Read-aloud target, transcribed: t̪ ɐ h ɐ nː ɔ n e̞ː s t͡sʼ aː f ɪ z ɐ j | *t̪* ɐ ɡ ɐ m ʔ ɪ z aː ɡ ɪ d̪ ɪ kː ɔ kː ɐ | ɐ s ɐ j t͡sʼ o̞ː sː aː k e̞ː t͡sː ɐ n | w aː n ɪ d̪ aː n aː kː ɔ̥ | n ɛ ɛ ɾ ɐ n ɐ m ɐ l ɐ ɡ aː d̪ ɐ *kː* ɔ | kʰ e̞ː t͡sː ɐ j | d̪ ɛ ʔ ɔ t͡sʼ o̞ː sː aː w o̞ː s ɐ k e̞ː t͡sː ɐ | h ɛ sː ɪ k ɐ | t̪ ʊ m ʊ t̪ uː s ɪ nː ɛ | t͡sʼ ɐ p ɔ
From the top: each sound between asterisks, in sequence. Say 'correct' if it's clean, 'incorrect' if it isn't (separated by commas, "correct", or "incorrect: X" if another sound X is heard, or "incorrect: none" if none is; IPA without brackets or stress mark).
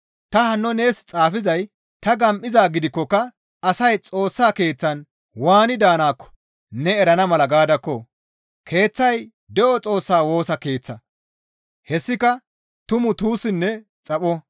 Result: correct, correct